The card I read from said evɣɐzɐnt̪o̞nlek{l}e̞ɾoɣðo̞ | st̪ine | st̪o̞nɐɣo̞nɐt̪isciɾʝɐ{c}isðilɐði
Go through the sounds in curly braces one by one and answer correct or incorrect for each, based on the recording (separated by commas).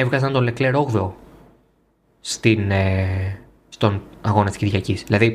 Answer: correct, correct